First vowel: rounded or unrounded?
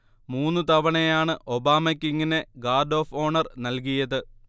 rounded